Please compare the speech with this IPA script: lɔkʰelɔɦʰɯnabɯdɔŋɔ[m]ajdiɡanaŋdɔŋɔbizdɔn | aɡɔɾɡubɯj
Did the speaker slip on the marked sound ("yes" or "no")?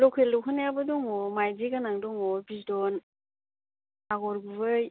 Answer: no